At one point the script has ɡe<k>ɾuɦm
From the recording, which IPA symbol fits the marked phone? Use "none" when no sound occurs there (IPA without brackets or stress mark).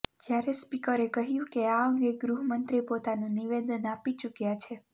ɡ